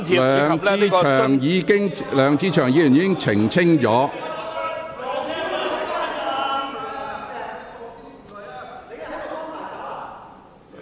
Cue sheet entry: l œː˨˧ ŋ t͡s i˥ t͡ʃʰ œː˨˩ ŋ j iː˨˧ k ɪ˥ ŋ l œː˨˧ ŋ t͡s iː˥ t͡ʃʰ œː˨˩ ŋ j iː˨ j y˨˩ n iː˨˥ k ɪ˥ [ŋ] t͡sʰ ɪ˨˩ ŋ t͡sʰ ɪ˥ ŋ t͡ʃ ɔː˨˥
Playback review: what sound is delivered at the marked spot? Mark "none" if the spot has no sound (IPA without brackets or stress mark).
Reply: ŋ